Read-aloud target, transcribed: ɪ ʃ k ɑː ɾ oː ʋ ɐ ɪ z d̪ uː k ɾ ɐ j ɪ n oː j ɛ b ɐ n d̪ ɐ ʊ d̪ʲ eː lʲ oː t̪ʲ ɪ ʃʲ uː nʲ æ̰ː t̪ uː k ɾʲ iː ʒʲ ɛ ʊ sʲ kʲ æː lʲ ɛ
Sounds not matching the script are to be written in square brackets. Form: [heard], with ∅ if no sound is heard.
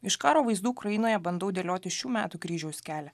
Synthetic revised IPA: ɪ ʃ k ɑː ɾ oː ʋ ɐ ɪ z d̪ uː k ɾ ɐ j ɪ n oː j ɛ b ɐ n d̪ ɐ ʊ d̪ʲ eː lʲ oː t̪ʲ ɪ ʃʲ uː [mʲ] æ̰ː t̪ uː k ɾʲ iː ʒʲ ɛ ʊ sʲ kʲ æː lʲ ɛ

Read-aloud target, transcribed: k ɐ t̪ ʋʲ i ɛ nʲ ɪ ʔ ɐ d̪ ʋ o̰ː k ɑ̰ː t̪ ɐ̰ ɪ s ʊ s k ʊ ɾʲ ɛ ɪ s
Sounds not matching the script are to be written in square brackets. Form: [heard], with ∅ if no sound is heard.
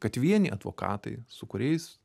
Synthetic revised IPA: k ɐ t̪ ʋʲ i ɛ nʲ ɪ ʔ ɐ d̪ ʋ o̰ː k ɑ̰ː t̪ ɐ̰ ɪ s ʊ [∅] k ʊ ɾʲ ɛ ɪ s

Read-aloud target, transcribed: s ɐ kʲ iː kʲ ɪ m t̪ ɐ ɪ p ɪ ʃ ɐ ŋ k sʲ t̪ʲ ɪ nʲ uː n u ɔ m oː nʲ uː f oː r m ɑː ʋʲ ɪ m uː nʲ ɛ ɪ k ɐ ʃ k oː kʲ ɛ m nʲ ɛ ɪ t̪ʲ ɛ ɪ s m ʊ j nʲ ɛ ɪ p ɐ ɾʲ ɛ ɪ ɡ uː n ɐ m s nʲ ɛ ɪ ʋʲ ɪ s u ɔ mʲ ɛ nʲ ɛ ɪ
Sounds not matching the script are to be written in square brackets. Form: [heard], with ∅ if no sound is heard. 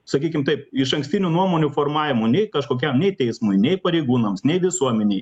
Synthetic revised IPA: s ɐ kʲ iː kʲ ɪ m t̪ ɐ ɪ p ɪ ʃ ɐ ŋ k sʲ t̪ʲ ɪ nʲ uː n u ɔ m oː nʲ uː f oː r m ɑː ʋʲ ɪ m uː nʲ ɛ ɪ k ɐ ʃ k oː kʲ ɛ m nʲ ɛ ɪ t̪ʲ ɛ ɪ s m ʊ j nʲ ɛ ɪ p ɐ ɾʲ ɛ ɪ ɡ uː n ɐ m s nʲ ɛ ɪ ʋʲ ɪ s u ɔ mʲ ɛ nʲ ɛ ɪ

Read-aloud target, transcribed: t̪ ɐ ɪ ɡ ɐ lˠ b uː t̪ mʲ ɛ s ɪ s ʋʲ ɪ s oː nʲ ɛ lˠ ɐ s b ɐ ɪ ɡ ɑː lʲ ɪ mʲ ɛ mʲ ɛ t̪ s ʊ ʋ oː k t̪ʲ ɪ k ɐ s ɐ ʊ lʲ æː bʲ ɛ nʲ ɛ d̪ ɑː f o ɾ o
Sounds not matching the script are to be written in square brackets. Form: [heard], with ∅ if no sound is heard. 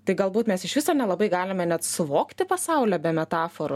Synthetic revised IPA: t̪ ɐ ɪ ɡ ɐ lˠ b uː t̪ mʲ ɛ s ɪ [ʃ] ʋʲ ɪ s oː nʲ ɛ lˠ ɐ [∅] b ɐ ɪ ɡ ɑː lʲ ɪ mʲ ɛ [nʲ] ɛ t̪ s ʊ ʋ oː k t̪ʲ ɪ [p] ɐ s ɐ ʊ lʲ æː bʲ ɛ [mʲ] ɛ [t̪] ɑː f o ɾ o

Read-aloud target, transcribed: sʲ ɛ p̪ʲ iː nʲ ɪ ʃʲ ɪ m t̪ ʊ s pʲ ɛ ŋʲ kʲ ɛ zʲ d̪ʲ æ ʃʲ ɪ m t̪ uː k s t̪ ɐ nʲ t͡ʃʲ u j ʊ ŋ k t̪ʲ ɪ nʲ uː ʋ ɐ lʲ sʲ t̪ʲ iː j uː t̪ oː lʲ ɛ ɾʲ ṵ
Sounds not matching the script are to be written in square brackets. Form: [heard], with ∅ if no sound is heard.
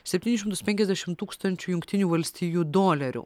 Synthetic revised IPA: sʲ ɛ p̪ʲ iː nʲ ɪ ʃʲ ɪ m t̪ ʊ s pʲ ɛ ŋʲ kʲ ɛ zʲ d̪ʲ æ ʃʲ ɪ m t̪ uː k s t̪ ɐ nʲ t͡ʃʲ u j ʊ ŋ k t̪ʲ ɪ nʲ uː ʋ ɐ lʲ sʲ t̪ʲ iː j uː [d̪] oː lʲ ɛ ɾʲ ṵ

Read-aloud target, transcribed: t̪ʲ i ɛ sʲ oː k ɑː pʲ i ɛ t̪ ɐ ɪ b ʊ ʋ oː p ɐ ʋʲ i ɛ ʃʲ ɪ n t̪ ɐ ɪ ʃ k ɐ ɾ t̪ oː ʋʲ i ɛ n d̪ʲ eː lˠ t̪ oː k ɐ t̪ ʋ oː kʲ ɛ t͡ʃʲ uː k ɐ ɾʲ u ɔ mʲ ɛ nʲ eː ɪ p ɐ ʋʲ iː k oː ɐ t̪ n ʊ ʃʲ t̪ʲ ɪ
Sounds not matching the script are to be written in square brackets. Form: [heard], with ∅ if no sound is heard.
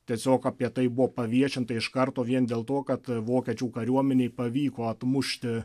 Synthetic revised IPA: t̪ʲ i ɛ sʲ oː k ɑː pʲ i ɛ t̪ ɐ ɪ b ʊ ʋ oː p ɐ ʋʲ i ɛ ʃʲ ɪ n t̪ ɐ ɪ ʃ k ɐ ɾ t̪ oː ʋʲ i ɛ n d̪ʲ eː lˠ t̪ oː k ɐ t̪ ʋ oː kʲ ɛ t͡ʃʲ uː k ɐ ɾʲ u ɔ mʲ ɛ nʲ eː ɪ p ɐ ʋʲ iː k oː ɐ t̪ [m] ʊ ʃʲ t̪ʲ ɪ

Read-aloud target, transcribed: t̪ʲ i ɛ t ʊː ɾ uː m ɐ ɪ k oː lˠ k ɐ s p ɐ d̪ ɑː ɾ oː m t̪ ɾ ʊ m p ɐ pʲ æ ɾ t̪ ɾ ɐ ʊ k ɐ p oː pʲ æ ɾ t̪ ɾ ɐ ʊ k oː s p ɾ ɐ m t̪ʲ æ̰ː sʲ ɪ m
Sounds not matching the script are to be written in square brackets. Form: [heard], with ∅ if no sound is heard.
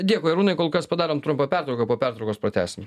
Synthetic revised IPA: [d̪ʲ] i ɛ [k] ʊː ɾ uː [n] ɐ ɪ k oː lˠ k ɐ s p ɐ d̪ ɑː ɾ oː m t̪ ɾ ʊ m p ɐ pʲ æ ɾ t̪ ɾ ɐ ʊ k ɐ p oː pʲ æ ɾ t̪ ɾ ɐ ʊ k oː s p ɾ ɐ [∅] t̪ʲ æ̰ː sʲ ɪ m

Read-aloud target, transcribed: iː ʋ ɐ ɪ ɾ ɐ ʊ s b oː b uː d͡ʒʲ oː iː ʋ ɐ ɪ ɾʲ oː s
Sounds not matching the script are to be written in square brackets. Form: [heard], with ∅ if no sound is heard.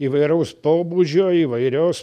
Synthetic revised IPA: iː ʋ ɐ ɪ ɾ ɐ ʊ s [p] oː b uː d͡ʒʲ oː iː ʋ ɐ ɪ ɾʲ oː s

